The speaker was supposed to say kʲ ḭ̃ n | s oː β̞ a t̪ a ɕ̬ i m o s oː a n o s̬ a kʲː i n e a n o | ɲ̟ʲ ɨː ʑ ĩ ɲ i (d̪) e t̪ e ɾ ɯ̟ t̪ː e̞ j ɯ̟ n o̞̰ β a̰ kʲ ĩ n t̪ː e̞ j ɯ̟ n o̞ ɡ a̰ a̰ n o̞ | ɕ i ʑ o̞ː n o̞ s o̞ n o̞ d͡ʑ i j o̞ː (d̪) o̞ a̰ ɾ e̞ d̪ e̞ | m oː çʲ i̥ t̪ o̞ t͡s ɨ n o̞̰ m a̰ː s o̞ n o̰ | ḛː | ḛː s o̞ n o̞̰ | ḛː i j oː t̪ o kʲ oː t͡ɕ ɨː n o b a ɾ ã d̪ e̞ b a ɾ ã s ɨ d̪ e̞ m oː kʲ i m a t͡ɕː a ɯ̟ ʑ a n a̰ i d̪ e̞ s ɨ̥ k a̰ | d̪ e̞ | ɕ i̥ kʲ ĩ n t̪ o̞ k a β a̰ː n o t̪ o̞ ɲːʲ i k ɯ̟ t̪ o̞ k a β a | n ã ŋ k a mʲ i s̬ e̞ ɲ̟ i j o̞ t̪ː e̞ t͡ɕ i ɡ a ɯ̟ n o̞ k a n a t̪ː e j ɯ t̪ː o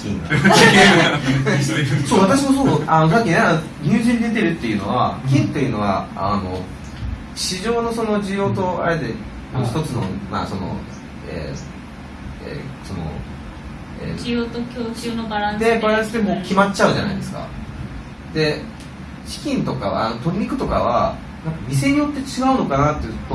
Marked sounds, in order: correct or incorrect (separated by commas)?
correct, incorrect